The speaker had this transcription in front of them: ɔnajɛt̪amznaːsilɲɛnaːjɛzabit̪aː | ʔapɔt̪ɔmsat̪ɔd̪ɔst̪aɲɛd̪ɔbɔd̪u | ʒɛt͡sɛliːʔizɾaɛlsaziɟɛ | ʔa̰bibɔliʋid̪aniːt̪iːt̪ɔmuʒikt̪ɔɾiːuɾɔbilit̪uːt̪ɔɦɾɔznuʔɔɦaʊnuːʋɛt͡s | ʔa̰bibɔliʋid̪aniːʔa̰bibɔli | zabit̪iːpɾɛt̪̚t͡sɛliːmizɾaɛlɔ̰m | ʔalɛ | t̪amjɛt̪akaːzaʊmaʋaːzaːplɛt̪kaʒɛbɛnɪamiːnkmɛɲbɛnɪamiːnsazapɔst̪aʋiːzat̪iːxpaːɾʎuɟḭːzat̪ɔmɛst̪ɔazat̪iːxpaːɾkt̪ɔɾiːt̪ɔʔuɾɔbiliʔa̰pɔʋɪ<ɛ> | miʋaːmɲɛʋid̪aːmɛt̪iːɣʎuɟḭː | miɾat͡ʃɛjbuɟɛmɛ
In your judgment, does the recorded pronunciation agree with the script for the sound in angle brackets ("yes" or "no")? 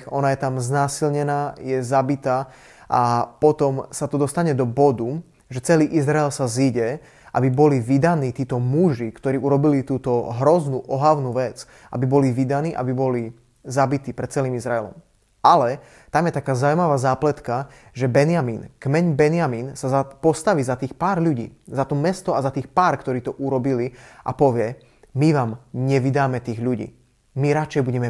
yes